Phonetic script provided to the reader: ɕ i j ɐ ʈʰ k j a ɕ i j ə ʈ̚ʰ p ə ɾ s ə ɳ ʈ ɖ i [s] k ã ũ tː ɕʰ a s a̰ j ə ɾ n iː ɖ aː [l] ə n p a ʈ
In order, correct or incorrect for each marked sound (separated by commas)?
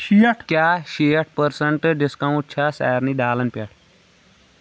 correct, correct